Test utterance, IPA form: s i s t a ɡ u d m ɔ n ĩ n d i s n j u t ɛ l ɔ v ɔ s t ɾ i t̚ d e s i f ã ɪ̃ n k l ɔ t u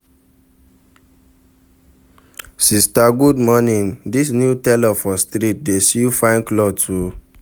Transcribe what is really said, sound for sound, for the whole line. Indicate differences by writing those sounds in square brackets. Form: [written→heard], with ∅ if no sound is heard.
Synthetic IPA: s i s t a ɡ u d m ɔ n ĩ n d i s n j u t ɛ l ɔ [v→f] ɔ s t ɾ i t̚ d e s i f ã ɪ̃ n k l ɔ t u